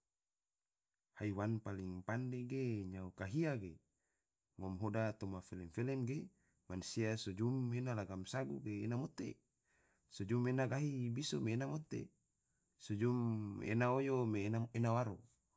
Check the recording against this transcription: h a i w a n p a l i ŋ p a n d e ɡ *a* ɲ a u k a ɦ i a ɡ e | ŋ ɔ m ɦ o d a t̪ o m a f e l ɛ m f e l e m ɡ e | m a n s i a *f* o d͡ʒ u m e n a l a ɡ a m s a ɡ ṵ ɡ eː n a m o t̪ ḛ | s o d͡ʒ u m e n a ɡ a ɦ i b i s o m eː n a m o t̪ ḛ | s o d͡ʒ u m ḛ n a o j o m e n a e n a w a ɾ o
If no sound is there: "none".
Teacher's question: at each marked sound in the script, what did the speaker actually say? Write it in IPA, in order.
e, s

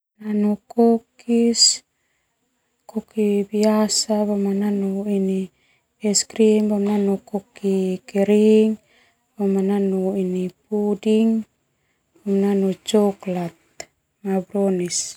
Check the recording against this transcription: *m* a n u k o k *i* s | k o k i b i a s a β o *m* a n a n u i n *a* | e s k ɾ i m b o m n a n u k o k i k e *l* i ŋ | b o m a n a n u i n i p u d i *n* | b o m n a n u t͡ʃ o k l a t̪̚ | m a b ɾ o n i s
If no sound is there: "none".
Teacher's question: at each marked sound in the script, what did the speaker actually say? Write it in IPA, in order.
n, i, m, i, ɾ, ŋ

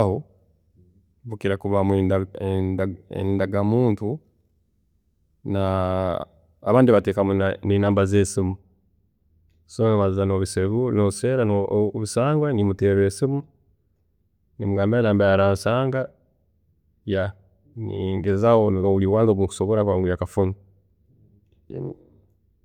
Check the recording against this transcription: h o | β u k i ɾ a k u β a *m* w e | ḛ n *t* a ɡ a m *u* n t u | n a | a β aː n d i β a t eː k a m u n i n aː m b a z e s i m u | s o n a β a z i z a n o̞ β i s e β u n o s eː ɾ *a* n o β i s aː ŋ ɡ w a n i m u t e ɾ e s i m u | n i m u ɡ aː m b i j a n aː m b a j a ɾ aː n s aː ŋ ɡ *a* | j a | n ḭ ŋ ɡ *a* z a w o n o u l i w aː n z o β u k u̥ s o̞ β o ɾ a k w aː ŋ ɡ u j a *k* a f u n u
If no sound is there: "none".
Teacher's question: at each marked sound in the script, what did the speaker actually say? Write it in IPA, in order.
m, d, uː, a, a, e, k

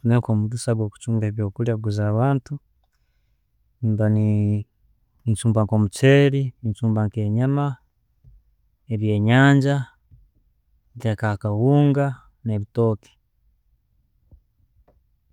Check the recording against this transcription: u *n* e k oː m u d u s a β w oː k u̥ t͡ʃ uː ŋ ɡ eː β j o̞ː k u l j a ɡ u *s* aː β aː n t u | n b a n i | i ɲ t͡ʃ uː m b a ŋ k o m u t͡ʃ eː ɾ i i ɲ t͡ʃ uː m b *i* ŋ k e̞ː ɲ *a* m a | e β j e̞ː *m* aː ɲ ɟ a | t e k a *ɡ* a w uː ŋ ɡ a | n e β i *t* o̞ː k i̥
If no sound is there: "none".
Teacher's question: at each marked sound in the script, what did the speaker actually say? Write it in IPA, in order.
n, z, a, a, ɲ, k, t

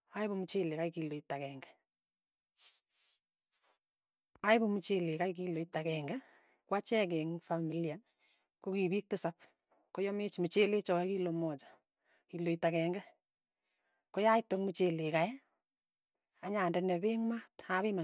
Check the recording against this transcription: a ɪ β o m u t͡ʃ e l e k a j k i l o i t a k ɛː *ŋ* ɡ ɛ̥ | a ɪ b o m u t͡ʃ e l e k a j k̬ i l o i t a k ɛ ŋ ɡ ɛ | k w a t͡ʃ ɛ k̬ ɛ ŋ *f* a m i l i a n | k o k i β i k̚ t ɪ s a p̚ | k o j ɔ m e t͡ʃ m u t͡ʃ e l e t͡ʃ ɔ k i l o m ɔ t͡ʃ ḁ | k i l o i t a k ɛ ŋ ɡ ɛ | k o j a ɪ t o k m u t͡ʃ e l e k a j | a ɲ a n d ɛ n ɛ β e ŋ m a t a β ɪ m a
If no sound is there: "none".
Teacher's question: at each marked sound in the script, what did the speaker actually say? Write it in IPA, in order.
ŋ, f

